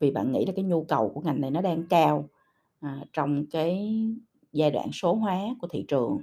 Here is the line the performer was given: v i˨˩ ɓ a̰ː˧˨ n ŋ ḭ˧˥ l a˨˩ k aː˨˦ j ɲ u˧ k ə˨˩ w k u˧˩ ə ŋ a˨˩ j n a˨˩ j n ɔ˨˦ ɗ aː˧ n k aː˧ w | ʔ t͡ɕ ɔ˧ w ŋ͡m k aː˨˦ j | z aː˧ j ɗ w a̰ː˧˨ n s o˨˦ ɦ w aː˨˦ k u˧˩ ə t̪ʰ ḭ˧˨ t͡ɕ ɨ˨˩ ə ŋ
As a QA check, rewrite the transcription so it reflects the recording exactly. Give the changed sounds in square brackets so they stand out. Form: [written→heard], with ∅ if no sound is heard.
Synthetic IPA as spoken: v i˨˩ ɓ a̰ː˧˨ n ŋ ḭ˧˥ l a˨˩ k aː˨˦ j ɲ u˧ k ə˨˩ w k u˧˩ ə ŋ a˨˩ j n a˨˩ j n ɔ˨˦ ɗ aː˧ [n→ŋ] k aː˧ w | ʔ t͡ɕ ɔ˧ w ŋ͡m k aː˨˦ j | z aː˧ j ɗ w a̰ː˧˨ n s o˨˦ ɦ w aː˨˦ k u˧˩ ə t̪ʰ ḭ˧˨ t͡ɕ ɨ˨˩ ə ŋ